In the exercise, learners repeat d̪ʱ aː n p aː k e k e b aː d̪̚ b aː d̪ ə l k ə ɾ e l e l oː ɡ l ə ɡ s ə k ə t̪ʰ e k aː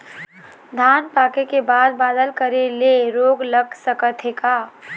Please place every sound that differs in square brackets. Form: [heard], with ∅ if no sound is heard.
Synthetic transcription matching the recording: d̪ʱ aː n p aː k e k e b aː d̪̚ b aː d̪ ə l k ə ɾ e l e [ɾ] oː ɡ l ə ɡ s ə k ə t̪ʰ e k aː

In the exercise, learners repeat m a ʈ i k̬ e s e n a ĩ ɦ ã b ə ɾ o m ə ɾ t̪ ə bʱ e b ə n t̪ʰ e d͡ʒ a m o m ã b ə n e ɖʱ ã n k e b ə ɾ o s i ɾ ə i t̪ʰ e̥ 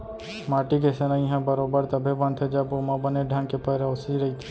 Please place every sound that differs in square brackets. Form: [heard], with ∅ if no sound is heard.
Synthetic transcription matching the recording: m a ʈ i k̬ e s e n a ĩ ɦ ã b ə ɾ o [b] ə ɾ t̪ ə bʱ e b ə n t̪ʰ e d͡ʒ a [b] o m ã b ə n e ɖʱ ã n k e [p] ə ɾ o s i ɾ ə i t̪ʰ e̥

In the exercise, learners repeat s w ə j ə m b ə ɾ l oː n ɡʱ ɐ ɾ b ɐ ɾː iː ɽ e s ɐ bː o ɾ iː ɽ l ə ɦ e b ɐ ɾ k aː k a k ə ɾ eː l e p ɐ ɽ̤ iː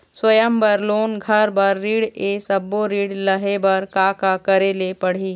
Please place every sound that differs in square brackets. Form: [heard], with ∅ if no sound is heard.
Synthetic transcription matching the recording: s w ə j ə m b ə ɾ l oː n ɡʱ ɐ ɾ b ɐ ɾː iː ɽ e s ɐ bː o ɾ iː ɽ l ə ɦ e b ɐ ɾ k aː k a k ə ɾ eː l e p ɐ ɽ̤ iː

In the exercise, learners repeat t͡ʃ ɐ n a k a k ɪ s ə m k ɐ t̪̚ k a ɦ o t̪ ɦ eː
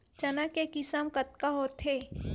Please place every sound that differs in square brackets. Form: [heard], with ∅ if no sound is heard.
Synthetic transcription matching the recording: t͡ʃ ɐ n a k [e] k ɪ s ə m k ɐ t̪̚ k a ɦ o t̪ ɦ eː

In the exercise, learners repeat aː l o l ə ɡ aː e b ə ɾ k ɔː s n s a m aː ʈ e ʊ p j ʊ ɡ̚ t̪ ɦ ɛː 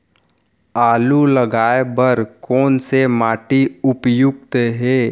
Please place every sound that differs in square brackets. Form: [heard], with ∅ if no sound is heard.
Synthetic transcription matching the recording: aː l [u] l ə ɡ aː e b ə ɾ k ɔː [∅] n s [e] m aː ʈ [i] ʊ p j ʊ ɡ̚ t̪ ɦ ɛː

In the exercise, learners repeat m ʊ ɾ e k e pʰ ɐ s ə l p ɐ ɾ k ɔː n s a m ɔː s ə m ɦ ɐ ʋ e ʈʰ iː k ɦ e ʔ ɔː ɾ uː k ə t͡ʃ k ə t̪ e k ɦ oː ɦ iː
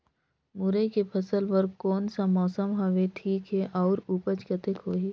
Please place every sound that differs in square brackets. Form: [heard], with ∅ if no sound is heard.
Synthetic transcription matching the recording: m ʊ ɾ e k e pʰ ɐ s ə l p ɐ ɾ k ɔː n s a m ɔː s ə m ɦ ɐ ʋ e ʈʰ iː k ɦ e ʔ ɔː ɾ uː [p] ə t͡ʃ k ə t̪ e k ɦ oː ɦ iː

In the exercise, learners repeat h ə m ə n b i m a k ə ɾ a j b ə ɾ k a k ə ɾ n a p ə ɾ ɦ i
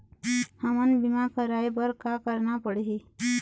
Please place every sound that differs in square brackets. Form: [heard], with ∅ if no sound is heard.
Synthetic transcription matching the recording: h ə m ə n b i m a k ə ɾ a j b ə ɾ k a k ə ɾ n a p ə [ɽ] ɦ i

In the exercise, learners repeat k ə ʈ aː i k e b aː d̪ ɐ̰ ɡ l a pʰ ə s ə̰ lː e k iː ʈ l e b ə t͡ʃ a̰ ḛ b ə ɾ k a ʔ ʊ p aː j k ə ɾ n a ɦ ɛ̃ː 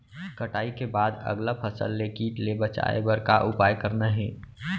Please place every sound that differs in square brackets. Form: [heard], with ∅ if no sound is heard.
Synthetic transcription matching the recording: k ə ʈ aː i k e b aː d̪ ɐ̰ ɡ l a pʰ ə s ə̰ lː e k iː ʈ l e b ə t͡ʃ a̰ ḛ b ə ɾ k a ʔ ʊ p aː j k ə ɾ n a ɦ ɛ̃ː

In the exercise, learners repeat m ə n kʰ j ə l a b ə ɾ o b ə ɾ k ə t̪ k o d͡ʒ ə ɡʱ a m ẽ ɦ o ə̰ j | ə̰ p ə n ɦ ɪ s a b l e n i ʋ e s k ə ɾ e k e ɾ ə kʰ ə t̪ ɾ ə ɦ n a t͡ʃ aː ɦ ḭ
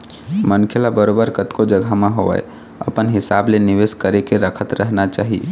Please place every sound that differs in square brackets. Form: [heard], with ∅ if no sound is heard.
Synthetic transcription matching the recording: m ə n kʰ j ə l a b ə ɾ o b ə ɾ k ə t̪ k o d͡ʒ ə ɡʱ a m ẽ ɦ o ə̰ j | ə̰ p ə n ɦ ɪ s a b l e n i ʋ e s k ə ɾ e k e ɾ ə kʰ ə t̪ ɾ ə ɦ n a t͡ʃ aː ɦ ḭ

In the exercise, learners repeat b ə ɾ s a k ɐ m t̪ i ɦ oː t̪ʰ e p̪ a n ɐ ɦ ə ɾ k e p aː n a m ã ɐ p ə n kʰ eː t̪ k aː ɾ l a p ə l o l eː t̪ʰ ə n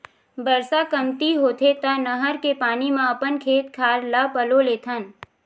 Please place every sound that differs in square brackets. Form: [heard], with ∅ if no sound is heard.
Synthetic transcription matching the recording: b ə ɾ s a k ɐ m t̪ i ɦ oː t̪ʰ e p̪ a n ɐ ɦ ə ɾ k e p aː n [i] m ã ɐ p ə n kʰ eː t̪ [kʰ] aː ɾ l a p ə l o l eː t̪ʰ ə n

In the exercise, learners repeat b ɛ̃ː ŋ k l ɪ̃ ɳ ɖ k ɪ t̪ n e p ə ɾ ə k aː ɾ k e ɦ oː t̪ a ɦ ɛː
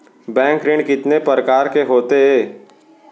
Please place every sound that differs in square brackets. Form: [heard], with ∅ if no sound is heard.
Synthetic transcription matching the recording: b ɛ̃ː ŋ k [ɾ] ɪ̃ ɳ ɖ k ɪ t̪ n e p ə ɾ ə k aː ɾ k e ɦ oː t̪ [e] ɦ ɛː

